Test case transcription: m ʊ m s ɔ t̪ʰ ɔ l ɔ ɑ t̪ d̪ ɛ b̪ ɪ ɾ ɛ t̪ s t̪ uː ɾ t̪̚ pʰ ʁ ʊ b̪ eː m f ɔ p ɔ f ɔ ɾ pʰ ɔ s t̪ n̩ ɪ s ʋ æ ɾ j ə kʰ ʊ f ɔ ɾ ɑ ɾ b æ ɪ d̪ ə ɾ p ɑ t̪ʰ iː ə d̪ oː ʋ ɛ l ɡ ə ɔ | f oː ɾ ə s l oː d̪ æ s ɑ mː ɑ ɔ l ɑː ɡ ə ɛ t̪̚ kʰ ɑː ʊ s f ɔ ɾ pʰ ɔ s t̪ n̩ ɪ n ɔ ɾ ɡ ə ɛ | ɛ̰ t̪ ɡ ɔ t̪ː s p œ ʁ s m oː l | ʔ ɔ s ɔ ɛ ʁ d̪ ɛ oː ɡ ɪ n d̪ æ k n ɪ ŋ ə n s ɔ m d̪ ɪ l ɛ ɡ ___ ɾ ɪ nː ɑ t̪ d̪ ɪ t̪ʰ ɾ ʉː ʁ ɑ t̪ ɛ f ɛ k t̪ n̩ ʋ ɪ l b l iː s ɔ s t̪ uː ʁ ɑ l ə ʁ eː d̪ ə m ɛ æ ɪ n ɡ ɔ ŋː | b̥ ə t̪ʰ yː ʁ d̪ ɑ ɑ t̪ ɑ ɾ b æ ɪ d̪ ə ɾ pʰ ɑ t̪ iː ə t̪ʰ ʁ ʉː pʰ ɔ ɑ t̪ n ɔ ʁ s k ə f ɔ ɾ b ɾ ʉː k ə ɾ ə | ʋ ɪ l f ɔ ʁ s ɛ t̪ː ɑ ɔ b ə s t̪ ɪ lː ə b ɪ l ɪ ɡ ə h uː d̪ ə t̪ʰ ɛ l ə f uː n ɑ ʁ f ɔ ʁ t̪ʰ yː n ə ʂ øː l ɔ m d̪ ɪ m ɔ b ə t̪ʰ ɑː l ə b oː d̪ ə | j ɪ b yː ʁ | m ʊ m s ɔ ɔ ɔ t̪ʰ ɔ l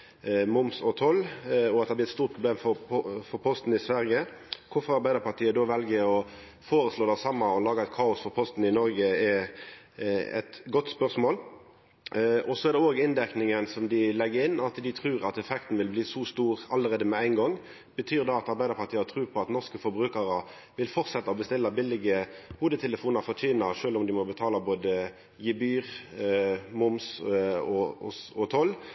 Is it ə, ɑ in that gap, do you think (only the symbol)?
ə